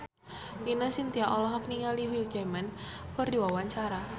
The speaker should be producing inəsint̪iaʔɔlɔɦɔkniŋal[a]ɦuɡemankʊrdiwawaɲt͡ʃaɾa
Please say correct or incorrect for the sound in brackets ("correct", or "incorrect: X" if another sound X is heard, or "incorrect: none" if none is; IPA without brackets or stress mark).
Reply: incorrect: i